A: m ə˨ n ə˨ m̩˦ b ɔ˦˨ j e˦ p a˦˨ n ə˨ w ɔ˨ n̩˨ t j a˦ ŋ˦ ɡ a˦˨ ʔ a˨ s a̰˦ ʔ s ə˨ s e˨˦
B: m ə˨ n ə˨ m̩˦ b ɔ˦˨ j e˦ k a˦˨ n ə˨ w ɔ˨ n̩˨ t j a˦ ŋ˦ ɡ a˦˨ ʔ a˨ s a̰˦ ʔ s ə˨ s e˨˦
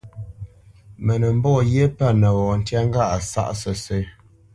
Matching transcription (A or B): A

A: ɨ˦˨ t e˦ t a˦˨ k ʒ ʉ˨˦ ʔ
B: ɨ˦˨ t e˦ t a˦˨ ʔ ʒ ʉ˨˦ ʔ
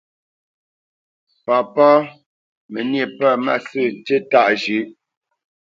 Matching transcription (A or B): B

